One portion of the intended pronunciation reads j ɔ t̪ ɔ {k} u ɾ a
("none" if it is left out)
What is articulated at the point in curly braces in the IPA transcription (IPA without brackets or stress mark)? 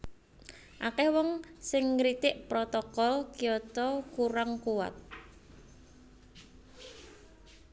k